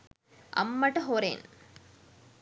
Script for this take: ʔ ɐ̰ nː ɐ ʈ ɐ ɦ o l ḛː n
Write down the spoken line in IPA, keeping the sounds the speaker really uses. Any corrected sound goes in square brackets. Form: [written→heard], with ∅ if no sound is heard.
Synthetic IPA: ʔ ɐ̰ [nː→mː] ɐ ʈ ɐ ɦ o [l→ɾ] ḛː n